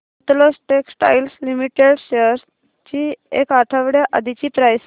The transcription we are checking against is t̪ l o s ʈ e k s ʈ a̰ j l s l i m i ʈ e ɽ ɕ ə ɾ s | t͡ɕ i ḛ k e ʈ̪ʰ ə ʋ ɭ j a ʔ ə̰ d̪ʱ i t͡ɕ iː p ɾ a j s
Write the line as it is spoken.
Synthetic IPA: t̪ l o s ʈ e k s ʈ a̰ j l s l i m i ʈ e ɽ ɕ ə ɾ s | t͡ɕ i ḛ k a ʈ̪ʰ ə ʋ ɽ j a ʔ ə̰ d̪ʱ i t͡ɕ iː p ɾ a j s